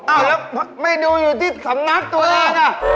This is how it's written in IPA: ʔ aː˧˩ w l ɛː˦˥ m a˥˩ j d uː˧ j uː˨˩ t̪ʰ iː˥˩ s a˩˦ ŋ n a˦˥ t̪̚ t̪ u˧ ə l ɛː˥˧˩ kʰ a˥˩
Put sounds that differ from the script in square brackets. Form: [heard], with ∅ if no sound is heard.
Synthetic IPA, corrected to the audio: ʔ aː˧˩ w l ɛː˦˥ m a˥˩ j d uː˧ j uː˨˩ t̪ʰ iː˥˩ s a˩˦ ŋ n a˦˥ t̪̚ t̪ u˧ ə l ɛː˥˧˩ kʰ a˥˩